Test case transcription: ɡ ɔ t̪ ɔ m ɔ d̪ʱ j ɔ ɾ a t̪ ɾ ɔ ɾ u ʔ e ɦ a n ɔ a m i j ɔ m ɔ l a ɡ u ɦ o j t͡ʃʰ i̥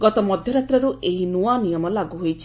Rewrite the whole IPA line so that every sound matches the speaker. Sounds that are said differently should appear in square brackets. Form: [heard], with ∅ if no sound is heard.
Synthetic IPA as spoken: ɡ ɔ t̪ ɔ m ɔ d̪ʱ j ɔ ɾ a t̪ ɾ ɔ ɾ u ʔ e ɦ [i] n [u] a [n] i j ɔ m ɔ l a ɡ u ɦ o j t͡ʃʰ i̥